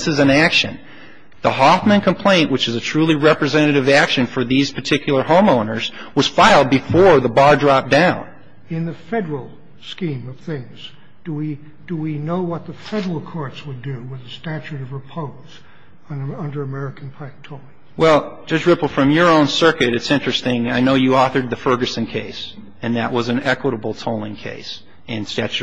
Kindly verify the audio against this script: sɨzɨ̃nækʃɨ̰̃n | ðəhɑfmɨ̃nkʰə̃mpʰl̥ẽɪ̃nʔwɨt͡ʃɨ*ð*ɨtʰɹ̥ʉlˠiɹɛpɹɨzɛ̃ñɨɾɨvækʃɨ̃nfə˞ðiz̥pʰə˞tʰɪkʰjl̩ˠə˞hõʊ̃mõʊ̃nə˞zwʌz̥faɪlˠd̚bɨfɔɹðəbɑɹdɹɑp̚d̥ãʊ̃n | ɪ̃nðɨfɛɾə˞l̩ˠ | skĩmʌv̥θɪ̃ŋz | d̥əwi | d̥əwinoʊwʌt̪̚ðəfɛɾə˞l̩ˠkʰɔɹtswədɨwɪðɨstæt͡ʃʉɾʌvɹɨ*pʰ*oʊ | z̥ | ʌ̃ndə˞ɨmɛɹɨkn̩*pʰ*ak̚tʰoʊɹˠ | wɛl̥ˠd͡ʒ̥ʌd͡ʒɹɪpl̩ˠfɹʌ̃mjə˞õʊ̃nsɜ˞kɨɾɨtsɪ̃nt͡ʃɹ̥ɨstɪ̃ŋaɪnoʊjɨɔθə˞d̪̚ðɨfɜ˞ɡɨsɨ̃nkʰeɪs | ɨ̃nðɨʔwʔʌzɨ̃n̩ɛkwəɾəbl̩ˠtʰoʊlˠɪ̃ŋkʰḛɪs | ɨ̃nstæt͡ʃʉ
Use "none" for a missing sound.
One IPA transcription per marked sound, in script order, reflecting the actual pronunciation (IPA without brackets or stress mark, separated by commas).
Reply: z, pʰ, pʰ